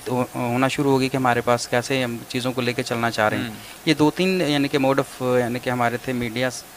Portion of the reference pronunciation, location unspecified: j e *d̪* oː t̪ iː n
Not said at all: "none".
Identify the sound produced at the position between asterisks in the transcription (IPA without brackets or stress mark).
d̪